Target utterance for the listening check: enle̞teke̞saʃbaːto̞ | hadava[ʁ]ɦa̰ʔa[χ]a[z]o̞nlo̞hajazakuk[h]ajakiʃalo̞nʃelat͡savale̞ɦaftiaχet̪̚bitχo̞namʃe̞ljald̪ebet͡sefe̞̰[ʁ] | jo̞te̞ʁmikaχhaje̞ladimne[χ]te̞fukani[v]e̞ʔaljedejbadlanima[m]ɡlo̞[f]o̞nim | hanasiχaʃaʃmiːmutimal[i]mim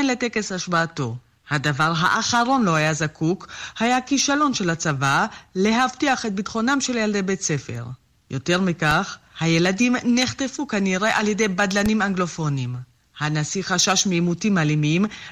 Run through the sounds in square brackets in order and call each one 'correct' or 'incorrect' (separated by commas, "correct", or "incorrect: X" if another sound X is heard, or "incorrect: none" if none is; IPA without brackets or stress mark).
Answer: correct, correct, incorrect: ʁ, correct, correct, correct, incorrect: ʁ, incorrect: ŋ, correct, correct